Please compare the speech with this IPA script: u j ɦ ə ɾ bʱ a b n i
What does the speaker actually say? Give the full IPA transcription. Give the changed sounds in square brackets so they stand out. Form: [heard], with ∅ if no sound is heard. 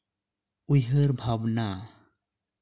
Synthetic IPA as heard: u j ɦ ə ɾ bʱ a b n [a]

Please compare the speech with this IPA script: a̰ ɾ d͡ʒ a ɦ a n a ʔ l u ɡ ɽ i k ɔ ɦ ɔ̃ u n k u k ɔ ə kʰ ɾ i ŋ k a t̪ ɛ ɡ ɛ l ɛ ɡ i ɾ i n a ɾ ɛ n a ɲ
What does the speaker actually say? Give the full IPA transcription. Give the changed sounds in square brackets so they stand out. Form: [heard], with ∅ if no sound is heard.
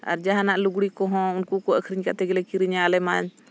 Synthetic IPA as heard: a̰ ɾ d͡ʒ a ɦ a n a ʔ l u ɡ ɽ i k ɔ ɦ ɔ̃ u n k u k ɔ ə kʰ ɾ i [ɲ] k a t̪ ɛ ɡ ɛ l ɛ [k] i ɾ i [ɲ] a [l] ɛ [m] a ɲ

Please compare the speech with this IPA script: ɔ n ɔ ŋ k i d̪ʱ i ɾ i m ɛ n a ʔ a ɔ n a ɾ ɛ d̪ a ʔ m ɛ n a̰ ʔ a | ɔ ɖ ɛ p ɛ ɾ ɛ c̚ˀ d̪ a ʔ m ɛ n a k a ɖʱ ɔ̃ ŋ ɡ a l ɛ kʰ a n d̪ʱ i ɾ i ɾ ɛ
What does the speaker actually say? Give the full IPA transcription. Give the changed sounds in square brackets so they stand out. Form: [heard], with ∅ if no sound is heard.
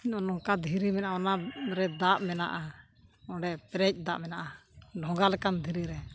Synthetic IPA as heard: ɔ n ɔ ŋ k [a] d̪ʱ i ɾ i m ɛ n a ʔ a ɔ n a ɾ ɛ d̪ a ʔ m ɛ n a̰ ʔ a | ɔ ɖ ɛ p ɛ ɾ ɛ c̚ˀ d̪ a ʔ m ɛ n a [ʔ] a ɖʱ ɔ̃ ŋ ɡ a l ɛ [k] a n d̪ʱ i ɾ i ɾ ɛ

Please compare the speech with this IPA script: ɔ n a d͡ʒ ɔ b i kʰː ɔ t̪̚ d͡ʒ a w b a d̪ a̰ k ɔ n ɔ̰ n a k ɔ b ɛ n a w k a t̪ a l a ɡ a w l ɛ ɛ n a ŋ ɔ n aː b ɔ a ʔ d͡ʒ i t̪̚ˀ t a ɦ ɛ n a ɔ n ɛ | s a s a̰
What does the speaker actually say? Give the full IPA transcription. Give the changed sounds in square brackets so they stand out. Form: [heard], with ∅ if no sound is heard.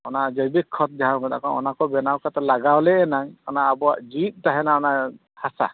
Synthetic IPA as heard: ɔ n a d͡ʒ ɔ b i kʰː ɔ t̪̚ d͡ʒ a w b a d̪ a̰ k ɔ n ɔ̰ n a k ɔ b ɛ n a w k a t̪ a l a ɡ a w l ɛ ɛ n a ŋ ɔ n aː b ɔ a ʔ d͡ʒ i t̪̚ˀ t a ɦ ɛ n a ɔ n [a] | [h] a s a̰

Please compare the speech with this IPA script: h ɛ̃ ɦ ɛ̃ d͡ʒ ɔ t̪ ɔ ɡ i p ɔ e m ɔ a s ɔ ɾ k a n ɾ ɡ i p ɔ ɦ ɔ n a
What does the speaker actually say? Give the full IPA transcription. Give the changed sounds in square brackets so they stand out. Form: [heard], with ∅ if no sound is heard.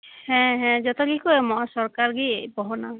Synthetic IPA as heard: h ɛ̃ ɦ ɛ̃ d͡ʒ ɔ t̪ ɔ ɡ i [k] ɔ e m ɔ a s ɔ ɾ k a [∅] ɾ ɡ i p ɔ ɦ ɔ n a

